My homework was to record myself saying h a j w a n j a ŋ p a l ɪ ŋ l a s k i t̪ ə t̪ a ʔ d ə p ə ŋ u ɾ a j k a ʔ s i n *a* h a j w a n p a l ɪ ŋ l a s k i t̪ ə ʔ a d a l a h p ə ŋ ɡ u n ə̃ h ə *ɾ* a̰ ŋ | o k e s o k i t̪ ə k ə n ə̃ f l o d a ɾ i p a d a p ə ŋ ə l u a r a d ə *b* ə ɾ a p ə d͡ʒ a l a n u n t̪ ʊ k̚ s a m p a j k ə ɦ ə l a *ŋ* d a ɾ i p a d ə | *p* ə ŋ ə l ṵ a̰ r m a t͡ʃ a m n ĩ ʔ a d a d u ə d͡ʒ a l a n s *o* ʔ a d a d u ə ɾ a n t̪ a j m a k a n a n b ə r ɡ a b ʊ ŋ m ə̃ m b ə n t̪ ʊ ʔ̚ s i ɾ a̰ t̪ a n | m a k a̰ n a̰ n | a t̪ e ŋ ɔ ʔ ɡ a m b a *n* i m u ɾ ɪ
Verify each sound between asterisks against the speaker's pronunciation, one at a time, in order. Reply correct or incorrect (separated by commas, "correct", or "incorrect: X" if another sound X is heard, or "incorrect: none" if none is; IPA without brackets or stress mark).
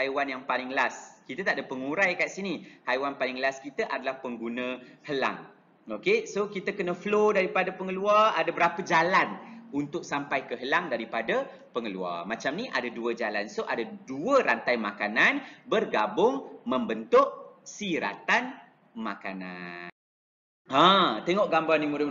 incorrect: i, incorrect: l, correct, correct, correct, correct, correct